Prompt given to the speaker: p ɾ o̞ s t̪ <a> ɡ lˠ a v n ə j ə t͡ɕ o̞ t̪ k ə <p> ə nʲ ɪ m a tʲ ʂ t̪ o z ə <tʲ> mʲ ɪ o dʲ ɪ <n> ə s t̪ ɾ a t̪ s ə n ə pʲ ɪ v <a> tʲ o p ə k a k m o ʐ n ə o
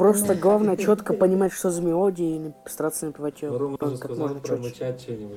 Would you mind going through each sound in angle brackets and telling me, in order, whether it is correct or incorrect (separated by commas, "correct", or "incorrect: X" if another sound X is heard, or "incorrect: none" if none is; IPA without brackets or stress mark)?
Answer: incorrect: ə, correct, incorrect: none, correct, correct